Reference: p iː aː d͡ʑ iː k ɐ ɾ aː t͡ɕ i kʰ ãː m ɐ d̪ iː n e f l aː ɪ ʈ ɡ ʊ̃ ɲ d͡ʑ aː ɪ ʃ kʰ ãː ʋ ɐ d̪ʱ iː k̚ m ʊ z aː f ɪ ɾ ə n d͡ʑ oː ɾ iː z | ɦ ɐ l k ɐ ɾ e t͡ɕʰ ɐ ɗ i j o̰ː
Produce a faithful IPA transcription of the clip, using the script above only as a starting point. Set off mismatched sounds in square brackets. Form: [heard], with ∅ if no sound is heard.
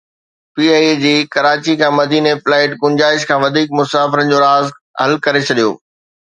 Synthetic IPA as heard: p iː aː d͡ʑ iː k ɐ ɾ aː t͡ɕ i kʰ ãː m ɐ d̪ iː n e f l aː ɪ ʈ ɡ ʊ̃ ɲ d͡ʑ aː ɪ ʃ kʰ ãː ʋ ɐ d̪ʱ iː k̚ m ʊ [s] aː f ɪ ɾ ə n d͡ʑ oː ɾ [aː] z | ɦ ɐ l k ɐ ɾ e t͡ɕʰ ɐ ɗ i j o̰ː

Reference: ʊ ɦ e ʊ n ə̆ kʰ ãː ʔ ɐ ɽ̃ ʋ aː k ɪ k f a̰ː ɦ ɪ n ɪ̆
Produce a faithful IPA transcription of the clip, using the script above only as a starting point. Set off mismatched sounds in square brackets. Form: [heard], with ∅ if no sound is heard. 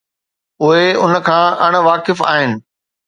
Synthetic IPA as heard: ʊ ɦ e ʊ n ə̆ kʰ ãː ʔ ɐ ɽ̃ ʋ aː k ɪ [∅] f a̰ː ɦ ɪ n ɪ̆

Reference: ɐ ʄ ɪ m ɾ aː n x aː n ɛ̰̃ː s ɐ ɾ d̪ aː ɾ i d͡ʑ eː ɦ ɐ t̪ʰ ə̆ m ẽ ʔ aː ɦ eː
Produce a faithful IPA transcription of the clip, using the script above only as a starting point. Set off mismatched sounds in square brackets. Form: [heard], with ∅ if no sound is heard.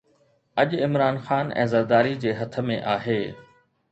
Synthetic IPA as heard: ɐ ʄ ɪ m ɾ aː n x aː n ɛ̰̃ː [z] ɐ ɾ d̪ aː ɾ i d͡ʑ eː ɦ ɐ t̪ʰ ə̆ m ẽ ʔ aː ɦ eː

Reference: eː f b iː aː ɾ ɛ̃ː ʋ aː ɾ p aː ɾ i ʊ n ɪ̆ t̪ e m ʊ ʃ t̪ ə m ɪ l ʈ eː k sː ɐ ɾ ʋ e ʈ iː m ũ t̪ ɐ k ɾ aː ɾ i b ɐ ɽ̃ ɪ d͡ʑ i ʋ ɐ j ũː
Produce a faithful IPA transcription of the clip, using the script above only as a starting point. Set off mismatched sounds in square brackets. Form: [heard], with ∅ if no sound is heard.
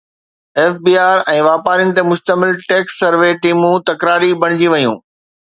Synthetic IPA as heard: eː f b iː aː ɾ ɛ̃ː ʋ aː [∅] p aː ɾ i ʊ n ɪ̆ t̪ e m ʊ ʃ t̪ ə m ɪ l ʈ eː k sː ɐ ɾ ʋ e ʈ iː m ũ t̪ ɐ k ɾ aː ɾ i b ɐ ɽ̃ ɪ d͡ʑ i ʋ ɐ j ũː

